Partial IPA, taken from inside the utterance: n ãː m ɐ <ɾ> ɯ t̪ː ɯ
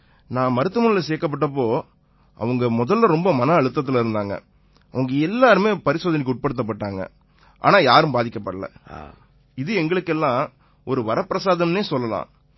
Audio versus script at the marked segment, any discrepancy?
no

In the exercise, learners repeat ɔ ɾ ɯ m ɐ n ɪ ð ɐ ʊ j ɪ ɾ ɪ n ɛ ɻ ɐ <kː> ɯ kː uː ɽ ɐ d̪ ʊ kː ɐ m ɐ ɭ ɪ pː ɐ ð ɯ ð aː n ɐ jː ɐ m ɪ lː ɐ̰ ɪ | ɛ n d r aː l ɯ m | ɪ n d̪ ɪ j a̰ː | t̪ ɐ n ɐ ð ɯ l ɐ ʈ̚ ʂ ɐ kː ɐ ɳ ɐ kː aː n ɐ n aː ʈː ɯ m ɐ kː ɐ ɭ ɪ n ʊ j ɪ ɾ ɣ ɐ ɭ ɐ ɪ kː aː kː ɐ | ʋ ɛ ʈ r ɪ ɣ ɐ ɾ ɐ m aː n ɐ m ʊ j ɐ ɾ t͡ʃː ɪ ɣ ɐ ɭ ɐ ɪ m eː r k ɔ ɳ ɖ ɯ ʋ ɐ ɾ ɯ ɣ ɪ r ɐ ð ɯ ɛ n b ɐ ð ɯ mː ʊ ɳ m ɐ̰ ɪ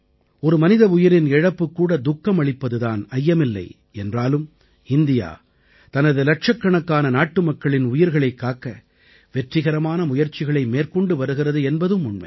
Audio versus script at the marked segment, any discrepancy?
yes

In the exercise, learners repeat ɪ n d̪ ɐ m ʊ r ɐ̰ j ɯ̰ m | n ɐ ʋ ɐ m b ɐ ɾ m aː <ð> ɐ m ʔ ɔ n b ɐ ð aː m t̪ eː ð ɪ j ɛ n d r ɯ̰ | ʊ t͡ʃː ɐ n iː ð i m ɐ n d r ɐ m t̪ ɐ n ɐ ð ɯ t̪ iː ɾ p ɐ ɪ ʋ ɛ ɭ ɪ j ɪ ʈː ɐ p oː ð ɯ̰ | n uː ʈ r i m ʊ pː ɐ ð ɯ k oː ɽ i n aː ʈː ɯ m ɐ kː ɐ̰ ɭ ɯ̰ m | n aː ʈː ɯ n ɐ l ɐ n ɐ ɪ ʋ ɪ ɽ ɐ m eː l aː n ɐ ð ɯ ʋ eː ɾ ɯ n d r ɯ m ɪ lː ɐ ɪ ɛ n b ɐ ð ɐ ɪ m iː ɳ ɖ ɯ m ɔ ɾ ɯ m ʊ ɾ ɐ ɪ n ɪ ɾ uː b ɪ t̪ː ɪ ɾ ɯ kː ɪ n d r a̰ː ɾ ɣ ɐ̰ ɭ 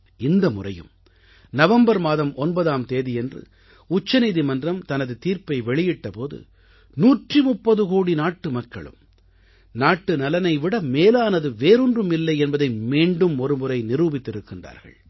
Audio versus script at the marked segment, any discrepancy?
no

